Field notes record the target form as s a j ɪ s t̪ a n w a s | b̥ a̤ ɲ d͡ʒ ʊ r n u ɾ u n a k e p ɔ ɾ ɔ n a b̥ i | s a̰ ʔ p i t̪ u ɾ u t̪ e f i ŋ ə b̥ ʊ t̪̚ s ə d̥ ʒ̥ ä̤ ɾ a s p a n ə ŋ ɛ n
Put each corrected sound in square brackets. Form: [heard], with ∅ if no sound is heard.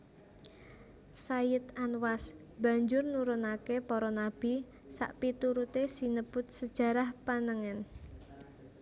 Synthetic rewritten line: s a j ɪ [∅] t̪ a n w a s | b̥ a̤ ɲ d͡ʒ ʊ r n u ɾ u n a k e p ɔ ɾ ɔ n a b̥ i | s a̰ ʔ p i t̪ u ɾ u t̪ e [s] i [n] ə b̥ ʊ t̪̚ s ə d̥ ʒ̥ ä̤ ɾ a [h] p a n ə ŋ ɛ n